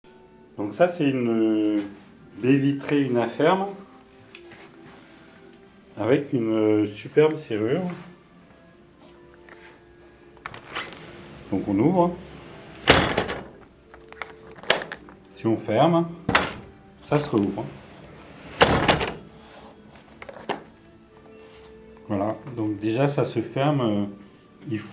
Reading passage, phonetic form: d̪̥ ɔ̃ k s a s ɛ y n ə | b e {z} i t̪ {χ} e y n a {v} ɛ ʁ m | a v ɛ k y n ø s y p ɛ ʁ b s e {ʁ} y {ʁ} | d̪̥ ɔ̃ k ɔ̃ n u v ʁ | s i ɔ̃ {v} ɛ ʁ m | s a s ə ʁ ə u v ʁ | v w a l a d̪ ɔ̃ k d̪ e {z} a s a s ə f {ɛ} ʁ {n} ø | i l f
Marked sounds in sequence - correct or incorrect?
incorrect: v, correct, incorrect: f, correct, correct, incorrect: f, incorrect: ʒ, correct, incorrect: m

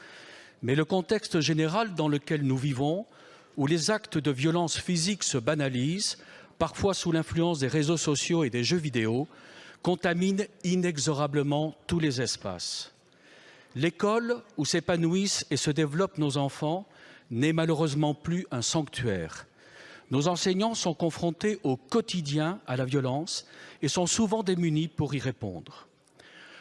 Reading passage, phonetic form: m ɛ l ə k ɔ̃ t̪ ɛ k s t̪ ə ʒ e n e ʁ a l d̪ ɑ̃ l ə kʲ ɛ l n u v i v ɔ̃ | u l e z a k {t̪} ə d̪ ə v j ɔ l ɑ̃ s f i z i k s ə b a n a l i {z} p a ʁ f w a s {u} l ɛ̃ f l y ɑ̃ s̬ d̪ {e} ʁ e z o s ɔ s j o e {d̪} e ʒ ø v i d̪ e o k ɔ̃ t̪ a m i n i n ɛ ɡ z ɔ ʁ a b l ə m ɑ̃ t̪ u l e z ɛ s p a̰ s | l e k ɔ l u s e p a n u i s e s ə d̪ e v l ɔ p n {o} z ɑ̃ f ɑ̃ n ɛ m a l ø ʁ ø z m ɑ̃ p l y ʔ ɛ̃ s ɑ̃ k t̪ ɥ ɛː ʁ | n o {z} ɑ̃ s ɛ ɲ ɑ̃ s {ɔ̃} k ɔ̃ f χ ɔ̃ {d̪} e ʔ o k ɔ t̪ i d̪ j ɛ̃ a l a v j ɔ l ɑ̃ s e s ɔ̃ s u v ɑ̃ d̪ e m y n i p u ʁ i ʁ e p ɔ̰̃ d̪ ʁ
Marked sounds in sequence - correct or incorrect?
correct, correct, correct, correct, correct, correct, correct, correct, incorrect: t̪

